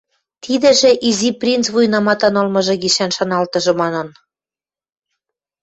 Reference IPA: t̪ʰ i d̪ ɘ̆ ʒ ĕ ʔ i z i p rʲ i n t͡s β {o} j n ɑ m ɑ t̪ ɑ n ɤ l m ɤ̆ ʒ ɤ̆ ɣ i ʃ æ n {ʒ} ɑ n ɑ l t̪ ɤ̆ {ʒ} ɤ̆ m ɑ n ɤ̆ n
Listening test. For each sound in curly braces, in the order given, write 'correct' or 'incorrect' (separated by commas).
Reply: incorrect, incorrect, correct